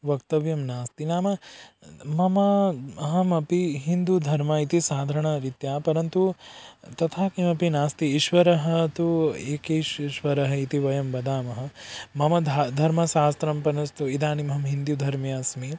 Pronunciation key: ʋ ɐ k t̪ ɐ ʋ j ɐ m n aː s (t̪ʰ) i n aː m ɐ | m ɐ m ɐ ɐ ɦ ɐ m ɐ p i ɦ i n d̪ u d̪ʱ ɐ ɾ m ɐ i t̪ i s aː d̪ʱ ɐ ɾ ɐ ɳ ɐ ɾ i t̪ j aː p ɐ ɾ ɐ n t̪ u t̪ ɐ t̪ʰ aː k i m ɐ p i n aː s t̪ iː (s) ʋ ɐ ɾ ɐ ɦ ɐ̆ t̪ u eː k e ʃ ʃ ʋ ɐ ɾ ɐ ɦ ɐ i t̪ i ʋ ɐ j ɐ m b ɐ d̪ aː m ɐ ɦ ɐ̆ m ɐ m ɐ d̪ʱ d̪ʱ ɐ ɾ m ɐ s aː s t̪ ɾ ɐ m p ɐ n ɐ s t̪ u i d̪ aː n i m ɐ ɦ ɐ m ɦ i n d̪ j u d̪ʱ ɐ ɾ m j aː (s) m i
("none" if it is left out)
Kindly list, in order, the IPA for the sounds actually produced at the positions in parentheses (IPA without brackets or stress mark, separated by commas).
t̪, ʃ, s